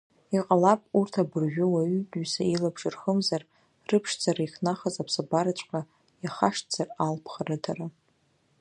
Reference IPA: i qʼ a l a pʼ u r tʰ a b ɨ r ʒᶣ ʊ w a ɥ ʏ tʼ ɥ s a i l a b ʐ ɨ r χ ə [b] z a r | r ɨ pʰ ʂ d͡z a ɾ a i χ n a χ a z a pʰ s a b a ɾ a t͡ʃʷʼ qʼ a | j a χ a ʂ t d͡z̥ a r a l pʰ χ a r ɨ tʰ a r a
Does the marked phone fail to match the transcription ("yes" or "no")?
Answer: yes